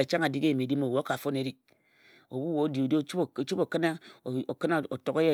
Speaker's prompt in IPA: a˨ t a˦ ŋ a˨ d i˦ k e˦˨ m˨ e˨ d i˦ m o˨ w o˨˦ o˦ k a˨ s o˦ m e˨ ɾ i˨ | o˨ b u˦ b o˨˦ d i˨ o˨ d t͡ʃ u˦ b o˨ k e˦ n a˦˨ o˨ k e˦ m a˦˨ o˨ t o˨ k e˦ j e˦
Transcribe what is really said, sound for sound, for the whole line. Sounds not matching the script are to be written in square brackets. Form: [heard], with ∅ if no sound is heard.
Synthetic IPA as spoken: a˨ [t͡ʃ] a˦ ŋ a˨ d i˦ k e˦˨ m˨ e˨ d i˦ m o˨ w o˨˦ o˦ k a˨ [f] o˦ [n] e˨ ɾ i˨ | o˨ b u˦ [w] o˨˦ d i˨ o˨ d t͡ʃ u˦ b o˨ k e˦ n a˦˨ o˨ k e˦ [n] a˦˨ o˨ t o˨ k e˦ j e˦